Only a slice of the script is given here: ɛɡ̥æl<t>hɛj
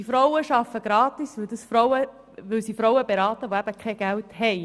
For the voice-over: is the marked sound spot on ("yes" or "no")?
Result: yes